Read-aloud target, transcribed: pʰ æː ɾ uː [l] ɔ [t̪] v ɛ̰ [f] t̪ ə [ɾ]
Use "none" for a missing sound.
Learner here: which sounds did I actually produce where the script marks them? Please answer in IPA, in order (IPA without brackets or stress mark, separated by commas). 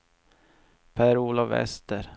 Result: l, none, s, ɾ